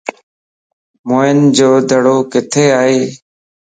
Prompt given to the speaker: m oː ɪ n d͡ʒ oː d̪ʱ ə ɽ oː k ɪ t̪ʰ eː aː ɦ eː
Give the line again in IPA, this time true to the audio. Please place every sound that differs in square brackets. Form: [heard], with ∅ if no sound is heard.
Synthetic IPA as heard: m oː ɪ n d͡ʒ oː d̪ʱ ə ɽ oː k ɪ t̪ʰ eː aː ɦ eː